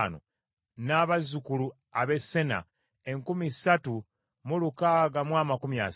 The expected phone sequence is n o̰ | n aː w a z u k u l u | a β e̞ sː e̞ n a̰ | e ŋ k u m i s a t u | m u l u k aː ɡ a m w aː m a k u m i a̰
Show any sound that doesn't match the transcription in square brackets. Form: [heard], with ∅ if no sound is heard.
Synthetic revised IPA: n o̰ | n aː [β] a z u k u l u | a β e̞ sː e̞ n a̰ | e ŋ k u m i s a t u | m u l u k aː ɡ a m w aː m a k u m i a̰